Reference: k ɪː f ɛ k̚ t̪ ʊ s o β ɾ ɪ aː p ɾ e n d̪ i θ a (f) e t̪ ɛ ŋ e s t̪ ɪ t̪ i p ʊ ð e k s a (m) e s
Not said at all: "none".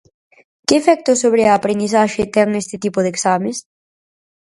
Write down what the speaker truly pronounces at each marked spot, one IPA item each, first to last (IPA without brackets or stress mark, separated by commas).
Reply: ʃ, m